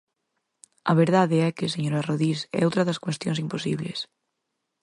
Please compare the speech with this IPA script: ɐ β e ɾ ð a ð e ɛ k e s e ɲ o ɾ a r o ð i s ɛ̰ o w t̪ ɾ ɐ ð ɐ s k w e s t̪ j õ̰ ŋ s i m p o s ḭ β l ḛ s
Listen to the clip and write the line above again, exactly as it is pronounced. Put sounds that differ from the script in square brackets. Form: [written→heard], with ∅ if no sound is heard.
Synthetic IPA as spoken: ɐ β e ɾ ð a ð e ɛ k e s e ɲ o ɾ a r o ð i s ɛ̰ o w t̪ ɾ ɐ ð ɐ s k w e s t̪ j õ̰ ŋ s i m p o s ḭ β l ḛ s